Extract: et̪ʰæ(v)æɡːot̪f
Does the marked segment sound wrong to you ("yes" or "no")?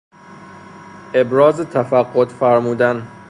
yes